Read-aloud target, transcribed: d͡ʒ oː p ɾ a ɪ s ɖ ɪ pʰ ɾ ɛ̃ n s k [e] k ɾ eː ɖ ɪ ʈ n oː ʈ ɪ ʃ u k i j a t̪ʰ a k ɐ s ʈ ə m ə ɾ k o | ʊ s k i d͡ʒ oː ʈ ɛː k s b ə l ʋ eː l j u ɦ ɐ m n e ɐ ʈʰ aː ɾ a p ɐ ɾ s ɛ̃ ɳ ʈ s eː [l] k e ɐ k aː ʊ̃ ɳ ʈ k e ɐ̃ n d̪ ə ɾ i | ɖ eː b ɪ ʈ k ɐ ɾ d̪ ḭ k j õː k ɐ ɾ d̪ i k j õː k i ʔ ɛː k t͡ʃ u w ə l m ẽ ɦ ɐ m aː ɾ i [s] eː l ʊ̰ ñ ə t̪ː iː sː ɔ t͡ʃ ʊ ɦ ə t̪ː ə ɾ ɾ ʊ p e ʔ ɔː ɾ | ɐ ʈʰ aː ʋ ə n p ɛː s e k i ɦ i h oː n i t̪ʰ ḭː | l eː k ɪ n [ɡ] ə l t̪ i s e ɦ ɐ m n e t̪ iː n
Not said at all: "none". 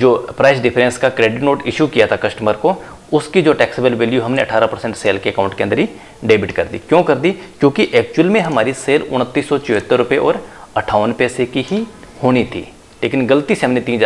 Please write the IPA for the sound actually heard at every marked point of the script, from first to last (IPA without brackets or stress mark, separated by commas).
a, l, s, ɡ